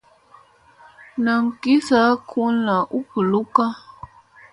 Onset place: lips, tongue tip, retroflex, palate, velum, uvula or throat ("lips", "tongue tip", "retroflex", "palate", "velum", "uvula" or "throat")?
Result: tongue tip